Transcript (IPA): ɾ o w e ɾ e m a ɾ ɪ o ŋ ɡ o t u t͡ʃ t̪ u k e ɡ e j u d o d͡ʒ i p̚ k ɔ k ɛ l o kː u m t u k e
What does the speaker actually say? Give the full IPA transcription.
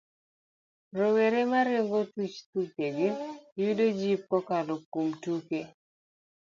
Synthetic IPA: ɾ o w e ɾ e m a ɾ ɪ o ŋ ɡ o t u t͡ʃ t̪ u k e ɡ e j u d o d͡ʒ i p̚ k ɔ k a l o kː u m t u k e